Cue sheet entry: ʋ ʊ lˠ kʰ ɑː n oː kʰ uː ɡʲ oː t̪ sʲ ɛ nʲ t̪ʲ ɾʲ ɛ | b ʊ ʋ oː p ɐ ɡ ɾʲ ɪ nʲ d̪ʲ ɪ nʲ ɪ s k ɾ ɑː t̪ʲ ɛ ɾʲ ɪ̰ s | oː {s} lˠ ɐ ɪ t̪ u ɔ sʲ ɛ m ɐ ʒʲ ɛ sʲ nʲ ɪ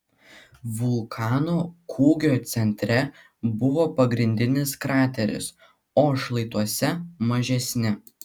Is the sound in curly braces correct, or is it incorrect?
incorrect